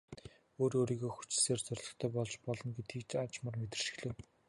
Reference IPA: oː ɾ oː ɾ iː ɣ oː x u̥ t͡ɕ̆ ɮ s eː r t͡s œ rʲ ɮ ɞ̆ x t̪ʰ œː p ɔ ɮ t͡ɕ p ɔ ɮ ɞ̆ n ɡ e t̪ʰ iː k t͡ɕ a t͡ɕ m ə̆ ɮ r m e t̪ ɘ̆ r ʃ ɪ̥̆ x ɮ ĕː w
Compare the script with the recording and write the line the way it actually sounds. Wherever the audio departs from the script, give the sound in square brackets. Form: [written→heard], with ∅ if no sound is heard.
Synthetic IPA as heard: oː ɾ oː ɾ iː ɣ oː x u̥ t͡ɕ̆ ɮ s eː r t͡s œ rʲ ɮ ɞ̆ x t̪ʰ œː p ɔ ɮ t͡ɕ p ɔ ɮ ɞ̆ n ɡ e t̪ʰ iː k t͡ɕ a t͡ɕ m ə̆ [ɮ→∅] r m e t̪ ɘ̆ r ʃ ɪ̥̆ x ɮ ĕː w